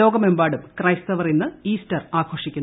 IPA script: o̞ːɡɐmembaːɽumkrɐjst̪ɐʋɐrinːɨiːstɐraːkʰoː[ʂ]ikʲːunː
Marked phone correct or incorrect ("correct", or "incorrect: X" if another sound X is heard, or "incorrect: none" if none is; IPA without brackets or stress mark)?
correct